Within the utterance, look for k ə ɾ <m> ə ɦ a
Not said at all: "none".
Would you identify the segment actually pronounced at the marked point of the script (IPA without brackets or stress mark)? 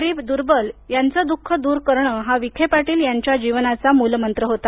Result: ɳ